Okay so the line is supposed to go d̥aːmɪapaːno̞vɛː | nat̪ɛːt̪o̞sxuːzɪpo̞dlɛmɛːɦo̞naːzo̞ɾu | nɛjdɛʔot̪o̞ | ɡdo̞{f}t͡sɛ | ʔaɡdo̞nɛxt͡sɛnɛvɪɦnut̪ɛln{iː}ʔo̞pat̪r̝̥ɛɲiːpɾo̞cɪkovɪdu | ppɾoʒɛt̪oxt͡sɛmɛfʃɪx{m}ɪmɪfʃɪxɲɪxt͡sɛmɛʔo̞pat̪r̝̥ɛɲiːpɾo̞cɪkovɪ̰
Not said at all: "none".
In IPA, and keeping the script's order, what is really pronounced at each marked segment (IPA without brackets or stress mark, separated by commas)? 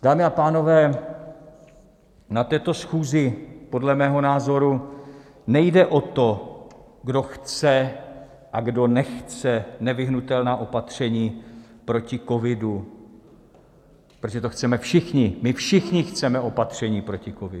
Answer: x, aː, ɲ